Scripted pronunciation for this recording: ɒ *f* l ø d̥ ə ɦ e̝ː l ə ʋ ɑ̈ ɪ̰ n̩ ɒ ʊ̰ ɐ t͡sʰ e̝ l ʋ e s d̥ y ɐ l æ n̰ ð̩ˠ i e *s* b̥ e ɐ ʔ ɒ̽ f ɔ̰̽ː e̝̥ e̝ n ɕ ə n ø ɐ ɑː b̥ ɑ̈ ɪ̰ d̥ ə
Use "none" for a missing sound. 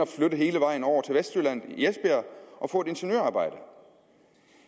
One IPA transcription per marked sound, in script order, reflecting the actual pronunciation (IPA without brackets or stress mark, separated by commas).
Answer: f, s